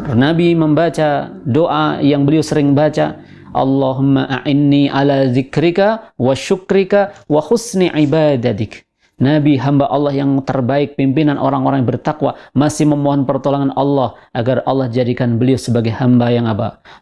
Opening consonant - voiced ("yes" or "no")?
yes